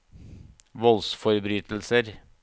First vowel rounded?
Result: yes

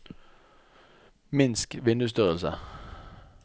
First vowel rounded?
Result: no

